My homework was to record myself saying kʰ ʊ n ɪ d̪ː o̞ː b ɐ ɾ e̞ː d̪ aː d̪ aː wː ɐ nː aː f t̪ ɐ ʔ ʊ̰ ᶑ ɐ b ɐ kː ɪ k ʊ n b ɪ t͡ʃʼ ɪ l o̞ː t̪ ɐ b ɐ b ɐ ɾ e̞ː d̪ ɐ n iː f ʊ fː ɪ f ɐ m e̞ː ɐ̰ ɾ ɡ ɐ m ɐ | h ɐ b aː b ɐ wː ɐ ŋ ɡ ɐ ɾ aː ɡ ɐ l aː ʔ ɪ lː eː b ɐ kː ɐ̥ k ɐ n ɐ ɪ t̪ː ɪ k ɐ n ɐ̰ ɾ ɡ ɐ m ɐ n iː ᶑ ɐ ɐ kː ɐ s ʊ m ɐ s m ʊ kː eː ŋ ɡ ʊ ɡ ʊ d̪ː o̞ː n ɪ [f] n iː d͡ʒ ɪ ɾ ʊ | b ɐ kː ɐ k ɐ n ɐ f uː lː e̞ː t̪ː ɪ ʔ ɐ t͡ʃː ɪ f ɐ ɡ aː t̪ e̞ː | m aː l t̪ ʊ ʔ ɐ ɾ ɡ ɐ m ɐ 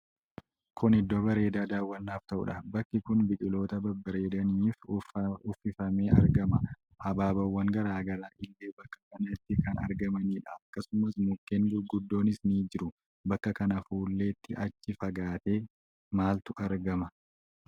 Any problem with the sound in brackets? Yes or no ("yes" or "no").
yes